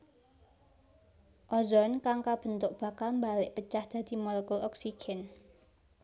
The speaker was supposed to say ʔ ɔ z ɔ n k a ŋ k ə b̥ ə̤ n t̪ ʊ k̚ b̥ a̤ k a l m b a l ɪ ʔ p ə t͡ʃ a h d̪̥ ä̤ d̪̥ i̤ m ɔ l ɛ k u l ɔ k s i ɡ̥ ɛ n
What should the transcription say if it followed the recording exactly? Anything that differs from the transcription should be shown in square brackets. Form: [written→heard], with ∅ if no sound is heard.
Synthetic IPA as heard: ʔ ɔ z ɔ n k a ŋ k [ə→a] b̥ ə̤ n t̪ ʊ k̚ b̥ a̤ k a l m b a l ɪ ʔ p ə t͡ʃ a h d̪̥ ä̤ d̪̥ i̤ m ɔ l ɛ k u l ɔ k s i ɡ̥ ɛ n